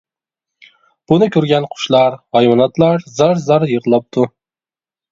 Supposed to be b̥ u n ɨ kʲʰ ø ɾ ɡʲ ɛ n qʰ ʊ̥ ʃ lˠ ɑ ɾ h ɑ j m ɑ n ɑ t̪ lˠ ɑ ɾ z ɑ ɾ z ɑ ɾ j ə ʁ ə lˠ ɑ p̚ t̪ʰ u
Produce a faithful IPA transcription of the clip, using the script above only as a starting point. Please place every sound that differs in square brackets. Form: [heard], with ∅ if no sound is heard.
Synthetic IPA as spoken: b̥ u n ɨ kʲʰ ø ɾ ɡʲ ɛ n qʰ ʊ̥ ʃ lˠ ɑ ɾ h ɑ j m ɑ n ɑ t̪ lˠ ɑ ɾ z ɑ ɾ z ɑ ɾ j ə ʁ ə lˠ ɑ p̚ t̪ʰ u